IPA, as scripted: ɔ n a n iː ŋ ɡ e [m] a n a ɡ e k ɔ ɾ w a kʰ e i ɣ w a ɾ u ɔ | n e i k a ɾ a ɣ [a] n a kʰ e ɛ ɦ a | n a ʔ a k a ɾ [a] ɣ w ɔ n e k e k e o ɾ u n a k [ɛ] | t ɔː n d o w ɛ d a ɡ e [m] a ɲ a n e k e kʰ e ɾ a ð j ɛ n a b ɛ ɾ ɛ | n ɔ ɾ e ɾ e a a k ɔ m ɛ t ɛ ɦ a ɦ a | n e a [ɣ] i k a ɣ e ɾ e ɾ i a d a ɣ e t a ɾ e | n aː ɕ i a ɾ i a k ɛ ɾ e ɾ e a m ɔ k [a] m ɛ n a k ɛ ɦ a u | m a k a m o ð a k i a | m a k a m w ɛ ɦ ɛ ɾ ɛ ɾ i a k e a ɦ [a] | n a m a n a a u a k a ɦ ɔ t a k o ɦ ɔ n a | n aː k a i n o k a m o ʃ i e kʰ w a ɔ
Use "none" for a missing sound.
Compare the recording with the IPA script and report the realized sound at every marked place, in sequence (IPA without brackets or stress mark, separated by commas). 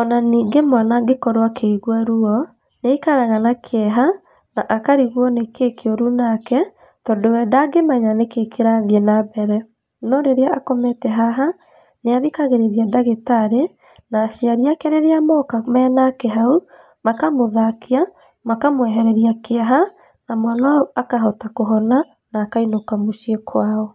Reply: m, a, i, ɛ, m, ð, a, a